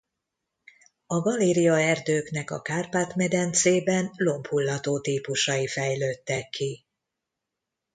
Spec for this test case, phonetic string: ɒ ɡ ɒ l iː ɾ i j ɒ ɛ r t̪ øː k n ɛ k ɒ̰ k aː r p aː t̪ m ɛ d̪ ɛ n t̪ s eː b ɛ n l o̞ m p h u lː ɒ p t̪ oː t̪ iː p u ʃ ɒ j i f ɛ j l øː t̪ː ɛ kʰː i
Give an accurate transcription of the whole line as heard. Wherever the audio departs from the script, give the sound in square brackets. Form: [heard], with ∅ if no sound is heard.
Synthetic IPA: ɒ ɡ ɒ l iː ɾ i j ɒ ɛ r [d̪] øː k n ɛ k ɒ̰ k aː r p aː t̪ m ɛ d̪ ɛ n t̪ s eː b ɛ n l o̞ m p h u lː ɒ [∅] t̪ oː t̪ iː p u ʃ ɒ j i f ɛ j l øː t̪ː ɛ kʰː i